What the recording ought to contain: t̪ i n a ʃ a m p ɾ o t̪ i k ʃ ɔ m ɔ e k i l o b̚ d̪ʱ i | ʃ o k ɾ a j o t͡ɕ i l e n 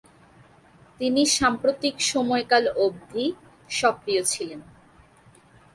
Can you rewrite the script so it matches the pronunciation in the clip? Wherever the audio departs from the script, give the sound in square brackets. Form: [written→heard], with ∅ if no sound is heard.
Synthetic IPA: t̪ i n [a→i] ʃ a m p ɾ o t̪ i k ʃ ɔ m ɔ e k [i→a] l o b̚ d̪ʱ i | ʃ [o→ɔ] k ɾ [a→i] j o [t͡ɕ→t͡ɕʰ] i l e n